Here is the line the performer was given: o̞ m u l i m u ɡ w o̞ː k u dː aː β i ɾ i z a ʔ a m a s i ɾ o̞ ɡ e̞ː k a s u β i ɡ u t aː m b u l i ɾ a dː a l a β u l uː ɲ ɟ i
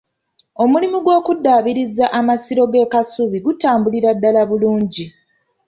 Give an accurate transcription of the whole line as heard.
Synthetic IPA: o̞ m u l i m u ɡ w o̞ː k u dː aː β i ɾ i z a ʔ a m a s i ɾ o̞ ɡ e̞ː k a s u β i ɡ u t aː m b u l i ɾ a dː a l a β u l uː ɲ ɟ i

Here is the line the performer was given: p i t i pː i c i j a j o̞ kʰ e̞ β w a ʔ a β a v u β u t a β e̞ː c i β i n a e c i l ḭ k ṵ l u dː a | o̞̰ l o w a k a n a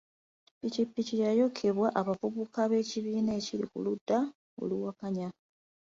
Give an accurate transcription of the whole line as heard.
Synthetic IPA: p i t i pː i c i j a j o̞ kʰ e̞ β w a ʔ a β a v u β u k a β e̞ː c i β iː n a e c i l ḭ k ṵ l u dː a | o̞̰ l u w a k a ɲ a

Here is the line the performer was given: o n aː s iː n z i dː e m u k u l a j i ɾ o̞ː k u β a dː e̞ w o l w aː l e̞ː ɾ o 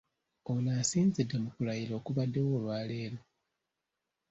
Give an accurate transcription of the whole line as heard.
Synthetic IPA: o n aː s iː n z i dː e m u k u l a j i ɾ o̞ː k u β a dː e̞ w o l w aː l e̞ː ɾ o

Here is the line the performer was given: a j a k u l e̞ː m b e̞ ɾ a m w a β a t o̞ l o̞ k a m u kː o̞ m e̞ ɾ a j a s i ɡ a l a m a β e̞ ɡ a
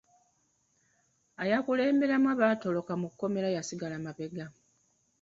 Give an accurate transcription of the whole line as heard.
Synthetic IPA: a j a k u l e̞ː m b e̞ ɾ a m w a β a t o̞ l o̞ k a m u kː o̞ m e̞ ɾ a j a s i ɡ a l a m a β e̞ ɡ a

